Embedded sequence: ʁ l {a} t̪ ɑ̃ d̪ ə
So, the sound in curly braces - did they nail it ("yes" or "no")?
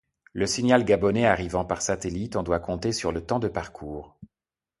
no